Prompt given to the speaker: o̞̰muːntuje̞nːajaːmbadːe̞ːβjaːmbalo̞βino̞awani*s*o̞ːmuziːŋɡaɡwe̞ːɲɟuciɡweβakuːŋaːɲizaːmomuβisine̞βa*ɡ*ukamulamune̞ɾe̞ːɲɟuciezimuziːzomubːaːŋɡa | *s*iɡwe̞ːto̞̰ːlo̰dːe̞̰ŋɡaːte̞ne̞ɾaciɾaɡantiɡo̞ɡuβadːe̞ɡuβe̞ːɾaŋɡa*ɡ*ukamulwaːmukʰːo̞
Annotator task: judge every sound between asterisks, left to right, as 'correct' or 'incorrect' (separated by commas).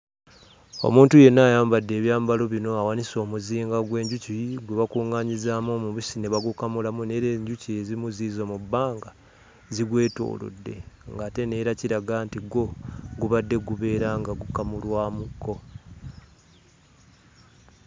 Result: correct, correct, incorrect, correct